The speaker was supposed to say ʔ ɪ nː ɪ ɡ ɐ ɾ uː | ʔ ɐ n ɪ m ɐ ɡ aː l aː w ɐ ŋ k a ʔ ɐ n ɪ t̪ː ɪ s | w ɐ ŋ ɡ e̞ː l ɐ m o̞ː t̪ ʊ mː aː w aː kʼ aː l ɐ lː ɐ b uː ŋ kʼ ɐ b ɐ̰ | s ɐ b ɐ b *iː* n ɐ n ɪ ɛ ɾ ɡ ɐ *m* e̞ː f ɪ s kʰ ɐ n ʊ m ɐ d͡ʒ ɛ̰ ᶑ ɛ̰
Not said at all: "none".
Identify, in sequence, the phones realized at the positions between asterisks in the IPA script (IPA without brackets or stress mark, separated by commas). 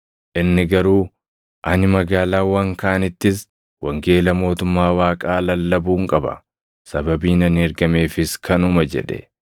iː, m